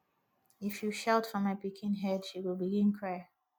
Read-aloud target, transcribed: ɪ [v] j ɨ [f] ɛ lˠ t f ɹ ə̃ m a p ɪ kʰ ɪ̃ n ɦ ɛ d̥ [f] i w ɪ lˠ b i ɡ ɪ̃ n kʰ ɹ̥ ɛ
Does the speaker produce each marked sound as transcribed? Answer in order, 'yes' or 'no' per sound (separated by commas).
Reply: no, no, no